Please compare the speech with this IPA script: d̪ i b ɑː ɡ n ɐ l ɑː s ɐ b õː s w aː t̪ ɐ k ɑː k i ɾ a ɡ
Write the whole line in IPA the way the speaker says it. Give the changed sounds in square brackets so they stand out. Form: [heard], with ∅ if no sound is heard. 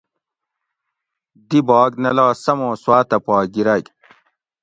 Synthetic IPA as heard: d̪ i b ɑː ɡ n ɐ l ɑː s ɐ [m] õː s w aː t̪ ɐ [p] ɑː [ɡ] i ɾ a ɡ